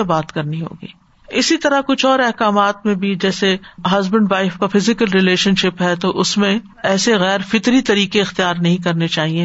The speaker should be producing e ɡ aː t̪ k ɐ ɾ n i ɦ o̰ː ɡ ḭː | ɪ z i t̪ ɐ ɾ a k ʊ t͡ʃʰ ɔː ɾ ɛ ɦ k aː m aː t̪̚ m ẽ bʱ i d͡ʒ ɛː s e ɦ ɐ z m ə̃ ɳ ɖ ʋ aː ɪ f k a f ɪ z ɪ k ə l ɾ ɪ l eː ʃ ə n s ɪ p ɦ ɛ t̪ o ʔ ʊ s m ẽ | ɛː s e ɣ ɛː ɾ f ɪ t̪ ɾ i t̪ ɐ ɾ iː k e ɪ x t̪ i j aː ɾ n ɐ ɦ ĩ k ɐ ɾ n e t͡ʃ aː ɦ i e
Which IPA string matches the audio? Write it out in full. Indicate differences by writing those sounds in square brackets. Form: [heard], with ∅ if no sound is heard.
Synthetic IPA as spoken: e [b] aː t̪ k ɐ ɾ n i ɦ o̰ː ɡ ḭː | ɪ [s] i t̪ ɐ ɾ a k ʊ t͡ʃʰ ɔː ɾ ɛ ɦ k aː m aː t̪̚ m ẽ bʱ i d͡ʒ ɛː s e ɦ ɐ z [b] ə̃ ɳ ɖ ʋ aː ɪ f k a f ɪ z ɪ k ə l ɾ ɪ l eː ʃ ə n [ʃ] ɪ p ɦ ɛ t̪ o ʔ ʊ s m ẽ | ɛː s e ɣ ɛː ɾ f ɪ t̪ ɾ i t̪ ɐ ɾ iː k e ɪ x t̪ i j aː ɾ n ɐ ɦ ĩ k ɐ ɾ n e t͡ʃ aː ɦ i e